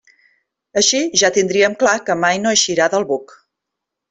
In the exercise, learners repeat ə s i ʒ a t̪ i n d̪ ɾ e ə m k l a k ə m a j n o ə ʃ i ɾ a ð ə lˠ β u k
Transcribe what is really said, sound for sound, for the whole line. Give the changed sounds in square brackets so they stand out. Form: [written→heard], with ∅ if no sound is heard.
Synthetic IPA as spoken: ə [s→ʃ] i ʒ a t̪ i n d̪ ɾ [e→i] ə m k l a k ə m a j n o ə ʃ i ɾ a ð ə lˠ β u k